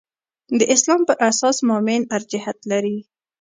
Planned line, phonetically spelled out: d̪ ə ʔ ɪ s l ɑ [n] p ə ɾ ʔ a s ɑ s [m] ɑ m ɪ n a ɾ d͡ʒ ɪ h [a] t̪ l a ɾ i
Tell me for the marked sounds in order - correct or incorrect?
incorrect: m, correct, correct

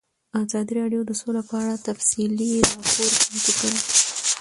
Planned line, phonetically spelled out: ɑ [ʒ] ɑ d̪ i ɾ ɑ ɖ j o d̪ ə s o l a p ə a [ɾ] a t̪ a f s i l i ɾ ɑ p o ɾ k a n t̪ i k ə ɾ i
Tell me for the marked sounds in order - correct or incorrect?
incorrect: z, incorrect: ɽ

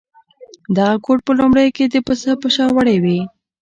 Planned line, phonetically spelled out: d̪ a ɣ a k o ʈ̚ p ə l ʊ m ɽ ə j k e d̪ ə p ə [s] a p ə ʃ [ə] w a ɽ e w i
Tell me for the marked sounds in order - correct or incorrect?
correct, incorrect: ɑ

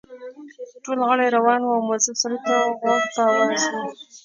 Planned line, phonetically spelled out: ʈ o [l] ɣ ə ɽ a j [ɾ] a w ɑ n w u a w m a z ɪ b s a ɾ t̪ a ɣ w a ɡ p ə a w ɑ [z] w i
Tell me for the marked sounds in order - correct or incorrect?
correct, correct, correct

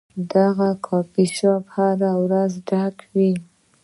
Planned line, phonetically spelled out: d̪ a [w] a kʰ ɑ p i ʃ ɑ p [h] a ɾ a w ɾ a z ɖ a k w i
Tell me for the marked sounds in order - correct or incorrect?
incorrect: ɣ, correct

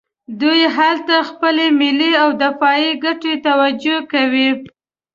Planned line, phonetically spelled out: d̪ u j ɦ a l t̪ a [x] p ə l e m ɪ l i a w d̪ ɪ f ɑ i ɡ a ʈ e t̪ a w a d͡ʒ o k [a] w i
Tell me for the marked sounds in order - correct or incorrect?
correct, correct

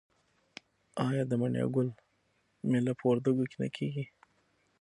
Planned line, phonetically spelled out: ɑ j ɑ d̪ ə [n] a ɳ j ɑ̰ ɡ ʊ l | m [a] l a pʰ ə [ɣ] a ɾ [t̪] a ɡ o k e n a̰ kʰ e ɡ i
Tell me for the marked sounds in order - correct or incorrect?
incorrect: m, incorrect: e, incorrect: w, incorrect: d̪

